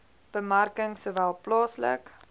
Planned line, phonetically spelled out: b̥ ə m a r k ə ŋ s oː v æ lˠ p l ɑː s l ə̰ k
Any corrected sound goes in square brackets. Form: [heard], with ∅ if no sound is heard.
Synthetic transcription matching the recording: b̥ ə m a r k ə ŋ s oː v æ lˠ p l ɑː s l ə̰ k